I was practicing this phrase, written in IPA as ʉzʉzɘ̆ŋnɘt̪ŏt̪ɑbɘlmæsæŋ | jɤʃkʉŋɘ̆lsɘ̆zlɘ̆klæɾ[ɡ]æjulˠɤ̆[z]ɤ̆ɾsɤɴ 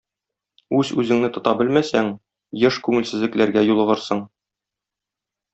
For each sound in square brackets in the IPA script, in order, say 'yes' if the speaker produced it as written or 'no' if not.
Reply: yes, no

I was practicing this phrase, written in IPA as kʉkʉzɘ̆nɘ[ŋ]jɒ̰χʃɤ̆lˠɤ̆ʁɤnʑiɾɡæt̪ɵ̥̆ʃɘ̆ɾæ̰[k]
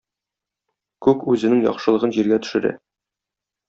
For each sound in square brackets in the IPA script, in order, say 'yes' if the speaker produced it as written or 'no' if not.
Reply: yes, no

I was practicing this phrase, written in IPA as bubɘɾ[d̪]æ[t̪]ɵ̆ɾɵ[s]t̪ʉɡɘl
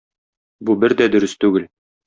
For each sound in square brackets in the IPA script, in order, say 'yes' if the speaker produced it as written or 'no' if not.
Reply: yes, no, yes

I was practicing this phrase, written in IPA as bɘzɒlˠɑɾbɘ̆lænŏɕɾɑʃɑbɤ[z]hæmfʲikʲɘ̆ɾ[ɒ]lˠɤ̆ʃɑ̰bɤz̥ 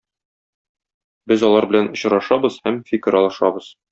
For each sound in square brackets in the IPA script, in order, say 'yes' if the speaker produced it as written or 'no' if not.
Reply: yes, yes

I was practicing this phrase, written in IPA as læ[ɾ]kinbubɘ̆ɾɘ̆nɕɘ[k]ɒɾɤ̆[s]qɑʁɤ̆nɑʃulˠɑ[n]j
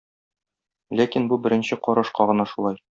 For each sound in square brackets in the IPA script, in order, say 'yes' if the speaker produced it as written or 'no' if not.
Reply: no, no, no, no

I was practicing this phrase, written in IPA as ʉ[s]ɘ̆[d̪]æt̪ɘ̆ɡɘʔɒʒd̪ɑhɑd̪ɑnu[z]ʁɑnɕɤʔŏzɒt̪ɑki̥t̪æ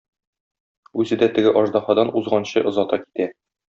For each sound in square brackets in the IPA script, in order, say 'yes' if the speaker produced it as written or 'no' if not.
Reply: no, yes, yes

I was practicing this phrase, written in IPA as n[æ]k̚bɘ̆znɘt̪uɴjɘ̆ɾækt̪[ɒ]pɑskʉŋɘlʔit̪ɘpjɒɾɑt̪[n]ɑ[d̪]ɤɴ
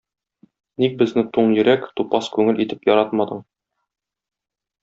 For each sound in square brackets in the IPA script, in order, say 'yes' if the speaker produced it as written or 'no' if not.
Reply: no, no, no, yes

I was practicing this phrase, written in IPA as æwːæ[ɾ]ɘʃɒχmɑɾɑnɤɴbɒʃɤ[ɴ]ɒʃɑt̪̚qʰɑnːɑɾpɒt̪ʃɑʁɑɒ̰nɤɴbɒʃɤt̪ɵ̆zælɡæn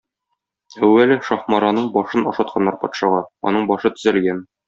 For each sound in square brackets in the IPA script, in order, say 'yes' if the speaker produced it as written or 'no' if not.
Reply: no, no

